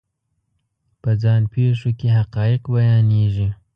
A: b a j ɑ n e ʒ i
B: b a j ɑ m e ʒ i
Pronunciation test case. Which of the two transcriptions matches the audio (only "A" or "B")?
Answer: A